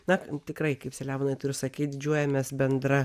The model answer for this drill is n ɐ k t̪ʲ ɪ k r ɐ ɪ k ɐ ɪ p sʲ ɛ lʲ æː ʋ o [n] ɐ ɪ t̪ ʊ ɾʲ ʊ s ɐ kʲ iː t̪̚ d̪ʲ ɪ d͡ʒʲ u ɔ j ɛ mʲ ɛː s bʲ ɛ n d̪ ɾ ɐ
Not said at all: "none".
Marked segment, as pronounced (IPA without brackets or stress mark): n